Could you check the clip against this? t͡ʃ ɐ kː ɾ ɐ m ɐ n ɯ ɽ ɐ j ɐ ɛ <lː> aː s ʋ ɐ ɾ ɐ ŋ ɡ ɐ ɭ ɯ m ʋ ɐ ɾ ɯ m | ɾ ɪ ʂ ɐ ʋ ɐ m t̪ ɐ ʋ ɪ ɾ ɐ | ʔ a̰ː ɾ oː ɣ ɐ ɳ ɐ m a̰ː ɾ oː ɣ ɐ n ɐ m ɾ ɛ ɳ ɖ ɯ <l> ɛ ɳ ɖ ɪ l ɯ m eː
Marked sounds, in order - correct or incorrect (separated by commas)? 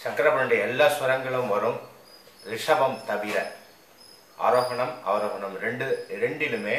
correct, incorrect